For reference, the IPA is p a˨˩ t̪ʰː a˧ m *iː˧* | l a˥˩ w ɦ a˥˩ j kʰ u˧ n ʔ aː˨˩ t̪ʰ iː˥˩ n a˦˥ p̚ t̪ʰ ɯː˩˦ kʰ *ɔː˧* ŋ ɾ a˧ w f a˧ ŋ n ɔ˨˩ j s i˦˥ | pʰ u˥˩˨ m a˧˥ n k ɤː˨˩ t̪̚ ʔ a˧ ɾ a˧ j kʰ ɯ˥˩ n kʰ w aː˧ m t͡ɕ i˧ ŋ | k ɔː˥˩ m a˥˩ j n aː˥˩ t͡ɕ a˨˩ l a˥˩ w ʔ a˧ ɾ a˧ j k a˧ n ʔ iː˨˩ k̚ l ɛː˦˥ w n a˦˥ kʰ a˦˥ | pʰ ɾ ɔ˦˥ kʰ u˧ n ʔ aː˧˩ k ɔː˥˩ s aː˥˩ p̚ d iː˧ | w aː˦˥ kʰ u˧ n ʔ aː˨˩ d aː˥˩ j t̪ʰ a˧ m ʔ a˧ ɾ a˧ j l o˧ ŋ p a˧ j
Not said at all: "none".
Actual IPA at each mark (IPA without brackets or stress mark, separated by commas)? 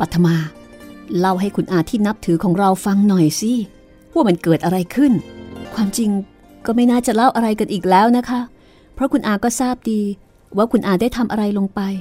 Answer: aː˧, ɔː˩˦